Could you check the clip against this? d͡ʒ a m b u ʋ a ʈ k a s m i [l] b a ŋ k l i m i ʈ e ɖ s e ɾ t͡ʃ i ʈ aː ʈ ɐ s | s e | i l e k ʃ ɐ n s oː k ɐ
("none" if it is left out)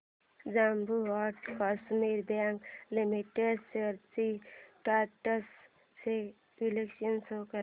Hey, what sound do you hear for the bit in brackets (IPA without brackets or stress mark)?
ɾ